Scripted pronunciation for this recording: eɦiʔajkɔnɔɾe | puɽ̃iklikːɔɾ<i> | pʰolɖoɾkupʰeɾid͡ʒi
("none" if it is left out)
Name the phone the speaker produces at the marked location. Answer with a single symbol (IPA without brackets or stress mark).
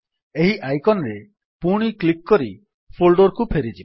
i